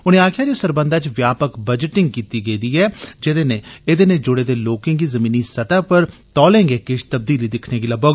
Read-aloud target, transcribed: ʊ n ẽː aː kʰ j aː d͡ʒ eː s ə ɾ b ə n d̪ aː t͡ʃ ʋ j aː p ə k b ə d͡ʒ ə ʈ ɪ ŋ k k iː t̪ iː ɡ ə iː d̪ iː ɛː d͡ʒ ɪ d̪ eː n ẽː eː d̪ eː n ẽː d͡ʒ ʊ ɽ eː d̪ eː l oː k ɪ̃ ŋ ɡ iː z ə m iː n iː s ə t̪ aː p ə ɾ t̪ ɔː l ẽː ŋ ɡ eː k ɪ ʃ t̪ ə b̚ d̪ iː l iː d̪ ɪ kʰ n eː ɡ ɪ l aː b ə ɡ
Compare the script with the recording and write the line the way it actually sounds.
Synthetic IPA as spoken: ʊ n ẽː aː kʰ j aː d͡ʒ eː s ə ɾ b ə n d̪ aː t͡ʃ ʋ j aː p ə k b ə d͡ʒ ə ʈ ɪ ŋ ɡ k iː t̪ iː ɡ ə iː d̪ iː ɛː d͡ʒ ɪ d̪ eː n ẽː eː d̪ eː n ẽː d͡ʒ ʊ ɽ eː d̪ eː l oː k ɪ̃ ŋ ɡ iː z ə m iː n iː s ə t̪ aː p ə ɾ t̪ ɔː l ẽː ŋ ɡ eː k ɪ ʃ t̪ ə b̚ d̪ iː l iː d̪ ɪ kʰ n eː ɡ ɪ l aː b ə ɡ